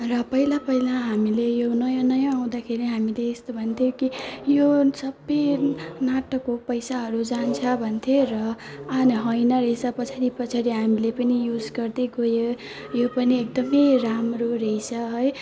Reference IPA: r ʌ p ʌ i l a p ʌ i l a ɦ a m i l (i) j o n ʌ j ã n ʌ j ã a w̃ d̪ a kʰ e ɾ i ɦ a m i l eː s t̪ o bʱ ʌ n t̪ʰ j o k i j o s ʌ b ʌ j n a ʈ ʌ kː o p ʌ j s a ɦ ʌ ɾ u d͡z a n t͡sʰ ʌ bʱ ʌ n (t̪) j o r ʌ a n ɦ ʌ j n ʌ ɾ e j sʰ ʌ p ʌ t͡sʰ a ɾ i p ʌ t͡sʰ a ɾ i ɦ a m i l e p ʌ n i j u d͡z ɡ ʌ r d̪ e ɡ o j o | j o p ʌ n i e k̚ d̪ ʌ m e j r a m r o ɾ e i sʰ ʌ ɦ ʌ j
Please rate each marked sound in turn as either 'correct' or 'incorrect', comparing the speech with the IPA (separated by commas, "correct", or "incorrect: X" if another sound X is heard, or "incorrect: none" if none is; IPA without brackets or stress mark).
incorrect: e, incorrect: t̪ʰ